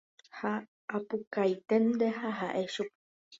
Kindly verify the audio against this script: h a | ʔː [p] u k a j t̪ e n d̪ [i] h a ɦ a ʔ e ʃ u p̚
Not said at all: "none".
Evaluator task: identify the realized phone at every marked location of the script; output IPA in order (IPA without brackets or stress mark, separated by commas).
p, e